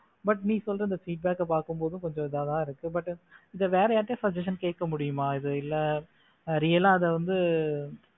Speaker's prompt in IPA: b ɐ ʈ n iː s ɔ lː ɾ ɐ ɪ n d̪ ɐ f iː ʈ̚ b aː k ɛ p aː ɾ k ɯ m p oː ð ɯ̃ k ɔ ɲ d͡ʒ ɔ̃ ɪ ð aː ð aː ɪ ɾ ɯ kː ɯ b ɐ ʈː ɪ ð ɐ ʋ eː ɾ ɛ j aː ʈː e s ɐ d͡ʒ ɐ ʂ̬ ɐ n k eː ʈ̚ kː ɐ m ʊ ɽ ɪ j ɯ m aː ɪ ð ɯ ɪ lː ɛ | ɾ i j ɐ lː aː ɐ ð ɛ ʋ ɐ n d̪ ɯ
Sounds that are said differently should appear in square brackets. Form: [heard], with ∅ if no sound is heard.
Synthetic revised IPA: b ɐ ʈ n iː s ɔ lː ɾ ɐ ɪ n d̪ ɐ f iː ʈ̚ b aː k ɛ p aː ɾ k ɯ m p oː ð ɯ̃ k ɔ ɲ d͡ʒ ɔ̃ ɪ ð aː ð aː ɪ ɾ ɯ kː ɯ b ɐ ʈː ɪ ð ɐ ʋ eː ɾ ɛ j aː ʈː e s ɐ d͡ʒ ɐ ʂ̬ ɐ n k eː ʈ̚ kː ɐ m ʊ ɽ ɪ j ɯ m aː ɪ ð ɯ ɪ lː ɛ | ɾ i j ɐ [l] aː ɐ ð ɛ ʋ ɐ n d̪ ɯ